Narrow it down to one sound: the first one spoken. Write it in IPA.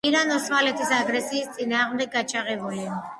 i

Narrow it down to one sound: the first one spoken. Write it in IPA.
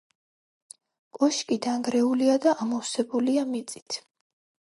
kʼ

